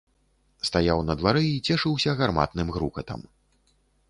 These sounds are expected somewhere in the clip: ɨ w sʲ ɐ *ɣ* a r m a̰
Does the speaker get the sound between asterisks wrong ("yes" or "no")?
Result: no